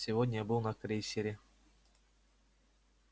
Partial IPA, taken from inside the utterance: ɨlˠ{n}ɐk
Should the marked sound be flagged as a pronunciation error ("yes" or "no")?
no